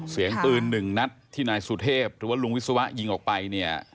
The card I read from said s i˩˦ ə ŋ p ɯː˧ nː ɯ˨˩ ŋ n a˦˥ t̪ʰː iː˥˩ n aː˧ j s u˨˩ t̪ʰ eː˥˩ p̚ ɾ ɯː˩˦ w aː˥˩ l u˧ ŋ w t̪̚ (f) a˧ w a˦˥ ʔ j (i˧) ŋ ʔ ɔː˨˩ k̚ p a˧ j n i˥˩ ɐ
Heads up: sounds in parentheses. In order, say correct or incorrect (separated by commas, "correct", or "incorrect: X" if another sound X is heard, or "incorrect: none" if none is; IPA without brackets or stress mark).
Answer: incorrect: s, correct